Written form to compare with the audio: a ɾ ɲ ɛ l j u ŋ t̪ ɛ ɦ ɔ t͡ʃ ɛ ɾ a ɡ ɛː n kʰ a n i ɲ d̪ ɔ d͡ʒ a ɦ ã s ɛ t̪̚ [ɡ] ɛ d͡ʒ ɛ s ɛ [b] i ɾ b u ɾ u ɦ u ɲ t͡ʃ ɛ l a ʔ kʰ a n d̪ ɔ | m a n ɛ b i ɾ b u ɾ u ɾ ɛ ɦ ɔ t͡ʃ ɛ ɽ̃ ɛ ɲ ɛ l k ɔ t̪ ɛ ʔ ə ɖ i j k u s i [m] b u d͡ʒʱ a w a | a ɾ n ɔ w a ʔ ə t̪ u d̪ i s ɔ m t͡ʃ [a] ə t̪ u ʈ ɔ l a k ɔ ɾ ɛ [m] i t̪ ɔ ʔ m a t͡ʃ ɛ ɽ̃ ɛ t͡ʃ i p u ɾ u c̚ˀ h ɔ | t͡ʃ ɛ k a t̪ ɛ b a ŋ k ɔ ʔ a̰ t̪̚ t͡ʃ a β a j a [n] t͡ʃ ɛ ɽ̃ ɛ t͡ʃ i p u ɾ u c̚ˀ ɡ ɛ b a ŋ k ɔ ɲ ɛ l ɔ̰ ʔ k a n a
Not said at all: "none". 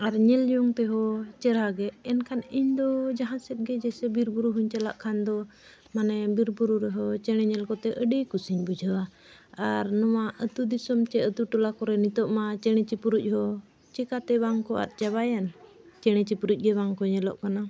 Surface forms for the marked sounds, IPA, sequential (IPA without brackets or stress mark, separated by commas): ɡ, b, ɲ, ɛ, n, n